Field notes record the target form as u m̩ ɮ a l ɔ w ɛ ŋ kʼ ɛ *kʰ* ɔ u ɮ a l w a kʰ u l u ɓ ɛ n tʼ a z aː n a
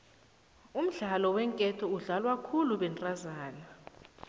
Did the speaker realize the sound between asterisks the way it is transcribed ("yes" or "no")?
no